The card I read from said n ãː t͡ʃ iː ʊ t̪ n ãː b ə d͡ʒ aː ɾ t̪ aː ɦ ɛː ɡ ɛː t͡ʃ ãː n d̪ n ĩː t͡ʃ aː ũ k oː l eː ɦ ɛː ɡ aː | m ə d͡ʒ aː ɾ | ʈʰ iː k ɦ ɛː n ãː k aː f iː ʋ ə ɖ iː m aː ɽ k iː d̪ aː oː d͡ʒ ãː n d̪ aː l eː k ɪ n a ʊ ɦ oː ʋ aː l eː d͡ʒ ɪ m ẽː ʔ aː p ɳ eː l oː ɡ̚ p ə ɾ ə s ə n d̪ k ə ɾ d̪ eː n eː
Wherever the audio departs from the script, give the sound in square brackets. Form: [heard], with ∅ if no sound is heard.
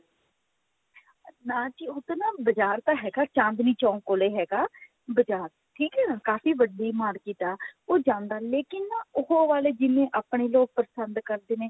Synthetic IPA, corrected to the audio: n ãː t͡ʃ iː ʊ t̪ n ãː b ə d͡ʒ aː ɾ t̪ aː ɦ ɛː ɡ [aː] t͡ʃ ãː n d̪ n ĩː t͡ʃ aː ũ k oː l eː ɦ ɛː ɡ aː | [b] ə d͡ʒ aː ɾ | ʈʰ iː k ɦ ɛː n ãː k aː f iː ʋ ə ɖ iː m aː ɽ k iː [t̪] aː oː d͡ʒ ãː n d̪ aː l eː k ɪ n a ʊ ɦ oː ʋ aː l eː d͡ʒ ɪ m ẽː ʔ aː p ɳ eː l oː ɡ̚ p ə ɾ ə s ə n d̪ k ə ɾ d̪ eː n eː